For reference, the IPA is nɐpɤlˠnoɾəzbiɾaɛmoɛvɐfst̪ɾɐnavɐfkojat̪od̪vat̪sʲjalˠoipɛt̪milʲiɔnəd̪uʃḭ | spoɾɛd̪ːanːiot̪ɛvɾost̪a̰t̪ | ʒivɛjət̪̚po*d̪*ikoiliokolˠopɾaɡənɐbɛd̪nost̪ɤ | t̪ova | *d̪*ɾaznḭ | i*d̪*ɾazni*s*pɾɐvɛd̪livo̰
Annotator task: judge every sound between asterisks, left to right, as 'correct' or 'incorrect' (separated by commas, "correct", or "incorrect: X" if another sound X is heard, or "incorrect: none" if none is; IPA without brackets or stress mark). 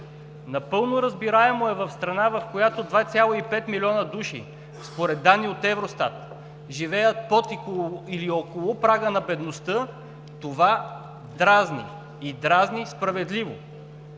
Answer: incorrect: t̪, correct, correct, correct